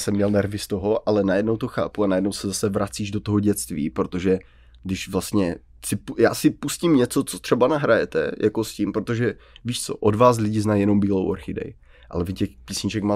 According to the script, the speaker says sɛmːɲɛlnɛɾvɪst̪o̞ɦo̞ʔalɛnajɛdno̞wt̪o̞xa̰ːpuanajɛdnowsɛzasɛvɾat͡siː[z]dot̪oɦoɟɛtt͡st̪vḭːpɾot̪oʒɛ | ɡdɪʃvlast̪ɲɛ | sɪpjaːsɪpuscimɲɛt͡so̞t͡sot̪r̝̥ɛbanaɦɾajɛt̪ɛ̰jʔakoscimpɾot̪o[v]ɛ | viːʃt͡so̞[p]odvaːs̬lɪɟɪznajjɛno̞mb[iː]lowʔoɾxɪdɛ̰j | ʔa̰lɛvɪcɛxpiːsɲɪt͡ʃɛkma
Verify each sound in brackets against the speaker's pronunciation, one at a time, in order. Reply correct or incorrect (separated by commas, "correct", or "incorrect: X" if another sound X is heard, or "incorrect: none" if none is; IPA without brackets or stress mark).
incorrect: ʒ, incorrect: ʒ, incorrect: ʔ, correct